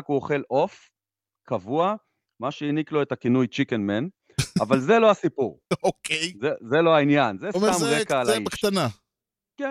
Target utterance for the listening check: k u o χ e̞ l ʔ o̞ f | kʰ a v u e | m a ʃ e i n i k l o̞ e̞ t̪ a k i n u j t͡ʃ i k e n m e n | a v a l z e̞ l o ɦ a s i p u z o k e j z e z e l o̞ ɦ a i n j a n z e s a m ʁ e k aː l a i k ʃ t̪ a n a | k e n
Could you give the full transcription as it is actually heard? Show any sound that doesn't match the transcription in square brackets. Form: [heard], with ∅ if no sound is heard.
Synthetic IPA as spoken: k u o χ e̞ l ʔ o̞ f | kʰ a v u [a] | m a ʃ e i n i k l o̞ e̞ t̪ a k i n u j t͡ʃ i k e n m e n | a v a l z e̞ l o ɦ a s i p u [ʁ] o k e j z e z e l o̞ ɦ a i n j a n z e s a m ʁ e k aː l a i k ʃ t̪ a n a | k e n